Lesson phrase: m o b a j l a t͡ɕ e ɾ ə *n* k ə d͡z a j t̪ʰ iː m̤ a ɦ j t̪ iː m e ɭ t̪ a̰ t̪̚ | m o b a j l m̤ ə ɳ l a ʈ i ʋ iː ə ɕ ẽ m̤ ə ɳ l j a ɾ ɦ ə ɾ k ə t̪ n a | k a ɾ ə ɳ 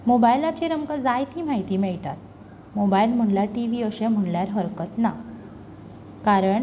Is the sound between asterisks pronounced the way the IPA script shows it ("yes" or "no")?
no